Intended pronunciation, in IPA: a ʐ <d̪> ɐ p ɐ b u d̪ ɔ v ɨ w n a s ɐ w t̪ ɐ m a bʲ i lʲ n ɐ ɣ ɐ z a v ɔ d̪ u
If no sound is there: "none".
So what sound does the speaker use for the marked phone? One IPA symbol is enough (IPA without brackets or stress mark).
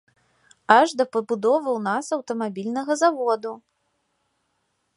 d̪